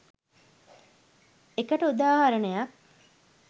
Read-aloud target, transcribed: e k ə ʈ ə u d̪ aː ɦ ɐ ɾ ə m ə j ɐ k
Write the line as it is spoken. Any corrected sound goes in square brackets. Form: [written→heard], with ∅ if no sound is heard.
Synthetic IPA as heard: e k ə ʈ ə u d̪ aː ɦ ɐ ɾ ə [m→n] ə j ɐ k